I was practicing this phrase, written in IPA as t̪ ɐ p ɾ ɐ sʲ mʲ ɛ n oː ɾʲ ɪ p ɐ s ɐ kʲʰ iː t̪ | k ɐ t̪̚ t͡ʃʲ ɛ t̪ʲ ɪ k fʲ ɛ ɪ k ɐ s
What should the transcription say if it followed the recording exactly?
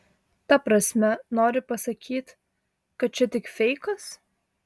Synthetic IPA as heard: t̪ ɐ p ɾ ɐ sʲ mʲ ɛ n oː ɾʲ ɪ p ɐ s ɐ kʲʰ iː t̪ | k ɐ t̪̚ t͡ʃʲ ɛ t̪ʲ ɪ k fʲ ɛ ɪ k ɐ s